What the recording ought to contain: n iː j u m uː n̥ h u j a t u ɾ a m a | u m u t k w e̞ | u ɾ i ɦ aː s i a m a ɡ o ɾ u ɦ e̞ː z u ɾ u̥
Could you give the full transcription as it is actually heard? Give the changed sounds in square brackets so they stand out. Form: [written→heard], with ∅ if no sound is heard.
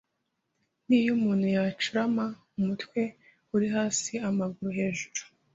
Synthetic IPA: n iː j u m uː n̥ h u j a [t→t͡ʃ] u ɾ a m a | u m u t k w e̞ | u ɾ i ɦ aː s i a m a ɡ [o→u] ɾ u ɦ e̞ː [z→ʒ] u ɾ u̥